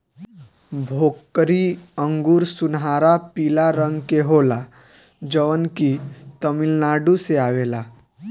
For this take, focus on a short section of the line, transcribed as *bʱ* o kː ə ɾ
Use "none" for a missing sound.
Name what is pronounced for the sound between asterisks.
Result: bʱ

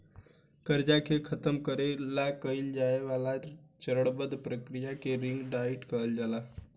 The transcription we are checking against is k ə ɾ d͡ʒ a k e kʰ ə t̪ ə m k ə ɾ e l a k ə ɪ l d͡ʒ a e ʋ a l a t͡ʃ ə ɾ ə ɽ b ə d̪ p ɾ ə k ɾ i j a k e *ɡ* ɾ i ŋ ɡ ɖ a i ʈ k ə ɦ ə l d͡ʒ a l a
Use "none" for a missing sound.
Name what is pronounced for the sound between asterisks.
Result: none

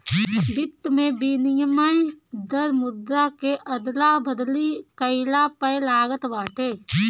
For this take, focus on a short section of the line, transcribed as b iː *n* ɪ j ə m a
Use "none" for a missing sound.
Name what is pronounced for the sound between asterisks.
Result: n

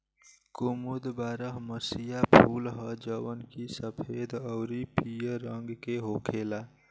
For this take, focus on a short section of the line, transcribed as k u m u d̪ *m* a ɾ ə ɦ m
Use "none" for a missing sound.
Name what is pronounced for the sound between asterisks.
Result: b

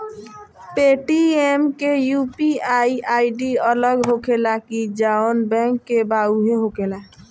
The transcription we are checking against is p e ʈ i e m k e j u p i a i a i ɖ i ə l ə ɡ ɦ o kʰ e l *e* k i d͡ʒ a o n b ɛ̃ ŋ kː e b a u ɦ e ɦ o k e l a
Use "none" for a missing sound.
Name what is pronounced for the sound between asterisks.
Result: a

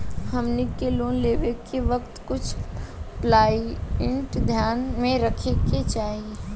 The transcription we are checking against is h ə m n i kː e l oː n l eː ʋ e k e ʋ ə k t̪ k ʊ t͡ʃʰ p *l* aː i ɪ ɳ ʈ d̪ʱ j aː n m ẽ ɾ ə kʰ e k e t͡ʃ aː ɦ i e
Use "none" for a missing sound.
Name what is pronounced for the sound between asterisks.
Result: l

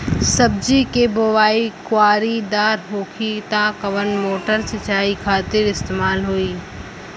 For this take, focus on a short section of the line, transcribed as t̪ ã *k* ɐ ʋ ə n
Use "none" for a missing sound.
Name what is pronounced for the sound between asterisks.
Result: k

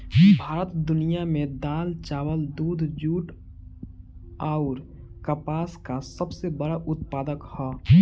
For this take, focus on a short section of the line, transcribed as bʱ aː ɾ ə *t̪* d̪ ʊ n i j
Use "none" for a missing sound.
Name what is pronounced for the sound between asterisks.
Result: t̪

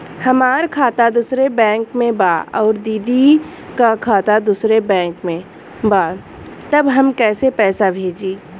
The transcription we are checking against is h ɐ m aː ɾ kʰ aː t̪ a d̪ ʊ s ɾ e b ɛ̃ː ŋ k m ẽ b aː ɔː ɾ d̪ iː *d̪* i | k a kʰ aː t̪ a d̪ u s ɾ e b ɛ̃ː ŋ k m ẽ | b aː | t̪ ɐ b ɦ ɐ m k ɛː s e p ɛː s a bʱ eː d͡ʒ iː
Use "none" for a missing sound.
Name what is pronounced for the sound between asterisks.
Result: d̪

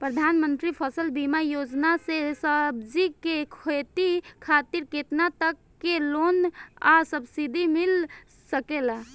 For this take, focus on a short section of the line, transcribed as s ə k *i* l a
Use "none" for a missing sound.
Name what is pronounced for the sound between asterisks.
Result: e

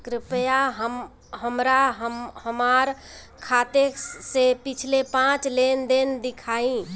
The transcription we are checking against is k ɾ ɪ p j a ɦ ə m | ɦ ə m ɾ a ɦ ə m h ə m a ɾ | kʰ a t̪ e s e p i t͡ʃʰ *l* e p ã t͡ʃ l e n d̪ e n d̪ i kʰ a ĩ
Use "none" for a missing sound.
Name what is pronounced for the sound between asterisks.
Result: l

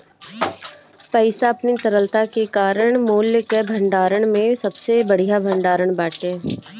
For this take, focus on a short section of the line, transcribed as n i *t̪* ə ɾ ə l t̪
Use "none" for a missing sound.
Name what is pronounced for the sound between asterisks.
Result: t̪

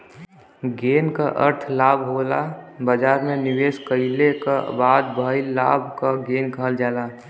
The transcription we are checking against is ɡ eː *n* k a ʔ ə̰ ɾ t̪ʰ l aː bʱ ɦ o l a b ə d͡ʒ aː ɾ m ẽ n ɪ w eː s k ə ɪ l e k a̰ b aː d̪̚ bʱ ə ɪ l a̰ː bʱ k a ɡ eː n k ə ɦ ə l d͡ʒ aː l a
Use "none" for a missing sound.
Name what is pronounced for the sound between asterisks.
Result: n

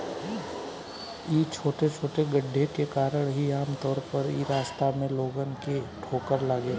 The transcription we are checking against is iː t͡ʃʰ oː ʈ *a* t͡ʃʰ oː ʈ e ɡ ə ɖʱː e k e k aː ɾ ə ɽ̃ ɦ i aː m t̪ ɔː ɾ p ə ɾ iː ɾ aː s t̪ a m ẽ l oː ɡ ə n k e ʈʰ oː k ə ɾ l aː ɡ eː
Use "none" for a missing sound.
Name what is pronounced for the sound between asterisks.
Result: e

